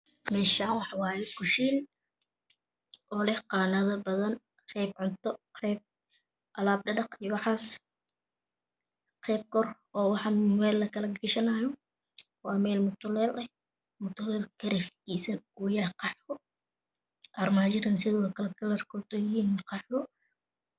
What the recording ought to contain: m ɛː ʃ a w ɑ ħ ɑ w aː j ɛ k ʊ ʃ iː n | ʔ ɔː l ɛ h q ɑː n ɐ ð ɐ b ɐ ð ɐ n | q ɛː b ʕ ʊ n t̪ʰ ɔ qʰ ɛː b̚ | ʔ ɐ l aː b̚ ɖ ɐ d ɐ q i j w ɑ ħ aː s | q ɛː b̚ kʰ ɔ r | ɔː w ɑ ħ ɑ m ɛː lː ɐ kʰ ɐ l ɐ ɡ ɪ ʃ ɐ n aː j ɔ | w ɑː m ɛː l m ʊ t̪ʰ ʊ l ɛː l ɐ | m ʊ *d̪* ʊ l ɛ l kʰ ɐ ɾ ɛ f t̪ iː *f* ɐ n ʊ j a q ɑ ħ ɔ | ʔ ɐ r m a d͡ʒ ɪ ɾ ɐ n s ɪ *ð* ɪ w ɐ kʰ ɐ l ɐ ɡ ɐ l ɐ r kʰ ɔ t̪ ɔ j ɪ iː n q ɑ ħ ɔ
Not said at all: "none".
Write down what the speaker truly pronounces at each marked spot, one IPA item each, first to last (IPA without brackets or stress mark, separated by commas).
t̪, s, ð